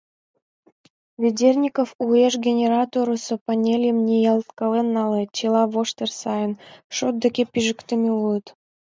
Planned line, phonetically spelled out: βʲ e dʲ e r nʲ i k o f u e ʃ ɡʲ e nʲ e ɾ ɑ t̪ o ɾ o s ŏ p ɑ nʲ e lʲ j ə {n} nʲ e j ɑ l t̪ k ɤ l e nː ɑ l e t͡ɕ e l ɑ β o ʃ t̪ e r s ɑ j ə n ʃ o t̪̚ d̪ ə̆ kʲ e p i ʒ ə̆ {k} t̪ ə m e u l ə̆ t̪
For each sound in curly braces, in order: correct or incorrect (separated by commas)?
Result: incorrect, correct